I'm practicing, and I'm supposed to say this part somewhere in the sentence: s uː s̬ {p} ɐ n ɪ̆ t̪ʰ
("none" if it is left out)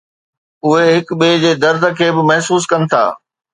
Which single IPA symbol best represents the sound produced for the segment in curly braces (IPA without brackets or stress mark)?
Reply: k